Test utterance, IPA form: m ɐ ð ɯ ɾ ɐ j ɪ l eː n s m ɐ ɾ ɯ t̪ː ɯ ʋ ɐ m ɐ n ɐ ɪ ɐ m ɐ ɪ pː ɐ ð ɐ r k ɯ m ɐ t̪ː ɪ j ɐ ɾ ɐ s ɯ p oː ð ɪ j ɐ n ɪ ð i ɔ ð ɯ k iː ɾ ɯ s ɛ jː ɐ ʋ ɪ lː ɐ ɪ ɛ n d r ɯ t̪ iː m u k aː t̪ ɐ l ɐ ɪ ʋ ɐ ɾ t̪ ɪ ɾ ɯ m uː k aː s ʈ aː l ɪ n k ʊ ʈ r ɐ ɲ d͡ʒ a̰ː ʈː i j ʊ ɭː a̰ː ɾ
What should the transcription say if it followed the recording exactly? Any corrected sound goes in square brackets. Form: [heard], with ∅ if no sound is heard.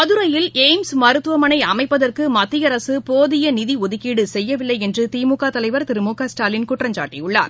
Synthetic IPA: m ɐ ð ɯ ɾ ɐ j ɪ l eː [m] s m ɐ ɾ ɯ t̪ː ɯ ʋ ɐ m ɐ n ɐ ɪ ɐ m ɐ ɪ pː ɐ ð ɐ r k ɯ m ɐ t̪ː ɪ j ɐ ɾ ɐ s ɯ p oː ð ɪ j ɐ n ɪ ð i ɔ ð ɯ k iː [ɽ] ɯ s ɛ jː ɐ ʋ ɪ lː ɐ ɪ ɛ n d r ɯ t̪ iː m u k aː t̪ ɐ l ɐ ɪ ʋ ɐ ɾ t̪ ɪ ɾ ɯ m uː k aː s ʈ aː l ɪ n k ʊ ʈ r ɐ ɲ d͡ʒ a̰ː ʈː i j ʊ ɭː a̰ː ɾ